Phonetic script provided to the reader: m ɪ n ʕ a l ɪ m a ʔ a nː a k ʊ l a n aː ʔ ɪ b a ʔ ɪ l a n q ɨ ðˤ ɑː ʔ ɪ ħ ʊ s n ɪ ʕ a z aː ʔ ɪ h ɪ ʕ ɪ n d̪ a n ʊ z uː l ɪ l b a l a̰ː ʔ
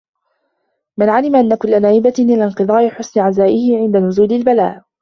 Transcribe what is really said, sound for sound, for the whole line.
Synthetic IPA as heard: m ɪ n ʕ a l ɪ m a ʔ a nː a k ʊ lː a n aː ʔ ɪ b a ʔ ɪ l a n q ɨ ðˤ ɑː ʔ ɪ ħ ʊ s n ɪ ʕ a z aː ʔ ɪ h ɪ ʕ ɪ n d̪ a n ʊ z uː l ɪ l b a l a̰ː ʔ